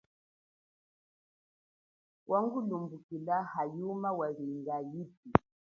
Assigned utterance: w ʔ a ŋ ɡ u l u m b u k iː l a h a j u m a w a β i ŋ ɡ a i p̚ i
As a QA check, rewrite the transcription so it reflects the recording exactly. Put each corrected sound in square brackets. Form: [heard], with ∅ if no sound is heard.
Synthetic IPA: w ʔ a ŋ ɡ u l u m b u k [i] l a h a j u m a w a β i ŋ ɡ a i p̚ i